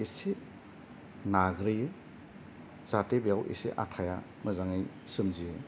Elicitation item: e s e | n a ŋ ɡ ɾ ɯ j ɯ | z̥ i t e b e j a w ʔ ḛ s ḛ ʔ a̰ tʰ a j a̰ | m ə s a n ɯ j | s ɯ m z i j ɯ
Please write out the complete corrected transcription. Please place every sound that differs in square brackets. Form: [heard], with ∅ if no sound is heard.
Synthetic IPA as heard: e s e | n a [∅] ɡ ɾ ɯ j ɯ | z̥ [a] t e b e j a w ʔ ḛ s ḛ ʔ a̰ tʰ a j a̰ | m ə [z] a [ŋ] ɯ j | s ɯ m z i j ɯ